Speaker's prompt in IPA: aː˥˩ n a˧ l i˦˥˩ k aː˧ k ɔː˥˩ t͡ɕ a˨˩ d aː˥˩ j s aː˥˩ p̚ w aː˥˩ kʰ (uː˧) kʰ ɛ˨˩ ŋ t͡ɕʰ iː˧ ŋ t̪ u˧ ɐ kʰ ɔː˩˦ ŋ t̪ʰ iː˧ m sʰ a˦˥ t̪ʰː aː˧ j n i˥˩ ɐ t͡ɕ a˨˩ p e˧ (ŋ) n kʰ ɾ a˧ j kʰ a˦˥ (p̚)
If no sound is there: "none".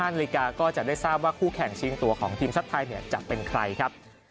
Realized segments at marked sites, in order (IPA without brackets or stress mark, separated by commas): uː˥˩, none, p̚